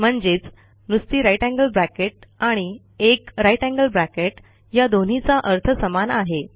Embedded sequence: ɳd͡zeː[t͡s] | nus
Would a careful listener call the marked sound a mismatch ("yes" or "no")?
no